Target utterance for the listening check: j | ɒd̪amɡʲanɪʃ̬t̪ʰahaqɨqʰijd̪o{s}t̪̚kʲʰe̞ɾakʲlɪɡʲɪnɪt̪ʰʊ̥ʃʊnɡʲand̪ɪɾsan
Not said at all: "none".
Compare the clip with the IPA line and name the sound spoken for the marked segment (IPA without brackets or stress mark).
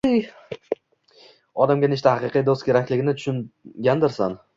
s